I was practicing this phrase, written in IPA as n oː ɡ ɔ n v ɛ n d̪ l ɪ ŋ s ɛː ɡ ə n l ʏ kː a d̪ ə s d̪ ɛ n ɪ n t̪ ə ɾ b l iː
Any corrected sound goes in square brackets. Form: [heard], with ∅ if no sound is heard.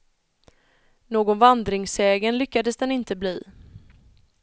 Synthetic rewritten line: n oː ɡ ɔ n v [a] n d̪ [ɾ] ɪ ŋ s ɛː ɡ ə n l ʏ kː a d̪ ə s d̪ ɛ n ɪ n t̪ ə [∅] b l iː